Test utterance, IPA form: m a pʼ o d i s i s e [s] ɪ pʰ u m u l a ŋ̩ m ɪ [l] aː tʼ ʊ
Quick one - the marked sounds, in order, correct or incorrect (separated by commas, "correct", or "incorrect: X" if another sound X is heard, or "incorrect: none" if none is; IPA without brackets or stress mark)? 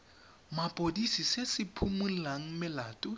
correct, correct